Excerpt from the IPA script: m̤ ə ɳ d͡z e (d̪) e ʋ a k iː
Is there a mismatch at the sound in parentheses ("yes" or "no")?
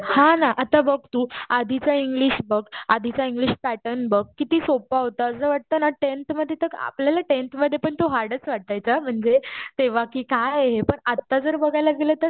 yes